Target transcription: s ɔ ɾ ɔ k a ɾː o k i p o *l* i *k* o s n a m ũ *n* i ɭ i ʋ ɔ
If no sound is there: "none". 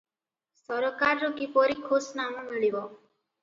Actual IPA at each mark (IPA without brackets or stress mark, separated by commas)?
ɾ, kʰ, m